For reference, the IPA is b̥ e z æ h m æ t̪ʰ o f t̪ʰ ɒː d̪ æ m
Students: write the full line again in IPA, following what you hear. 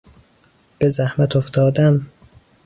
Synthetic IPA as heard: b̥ e z æ h m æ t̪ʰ o f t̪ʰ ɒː d̪ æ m